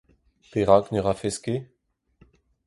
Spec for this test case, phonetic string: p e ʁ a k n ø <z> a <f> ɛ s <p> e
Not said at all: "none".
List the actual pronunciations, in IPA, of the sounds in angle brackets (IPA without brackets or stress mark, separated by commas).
ʁ, f, k